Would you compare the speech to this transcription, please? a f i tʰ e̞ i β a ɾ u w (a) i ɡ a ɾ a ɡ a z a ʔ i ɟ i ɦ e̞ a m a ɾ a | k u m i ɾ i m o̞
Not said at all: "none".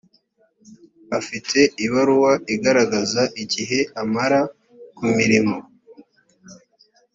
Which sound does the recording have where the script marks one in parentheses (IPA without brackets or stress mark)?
a